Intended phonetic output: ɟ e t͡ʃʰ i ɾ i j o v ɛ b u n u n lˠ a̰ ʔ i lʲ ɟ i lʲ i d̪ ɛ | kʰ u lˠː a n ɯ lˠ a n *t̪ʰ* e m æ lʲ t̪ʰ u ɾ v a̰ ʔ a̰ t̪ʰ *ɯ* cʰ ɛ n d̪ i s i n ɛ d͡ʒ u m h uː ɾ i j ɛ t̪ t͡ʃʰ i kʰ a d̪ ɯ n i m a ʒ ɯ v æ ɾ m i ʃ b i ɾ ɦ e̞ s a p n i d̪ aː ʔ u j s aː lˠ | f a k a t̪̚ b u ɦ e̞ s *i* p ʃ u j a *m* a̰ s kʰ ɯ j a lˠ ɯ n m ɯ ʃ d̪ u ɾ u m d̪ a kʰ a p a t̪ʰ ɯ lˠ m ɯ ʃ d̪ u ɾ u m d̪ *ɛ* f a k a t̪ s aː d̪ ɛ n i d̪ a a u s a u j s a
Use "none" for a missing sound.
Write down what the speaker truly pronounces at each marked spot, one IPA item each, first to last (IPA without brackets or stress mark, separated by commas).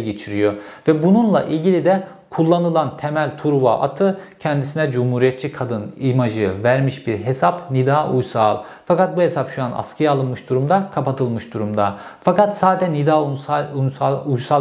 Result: t̪ʰ, ɯ, a, n, a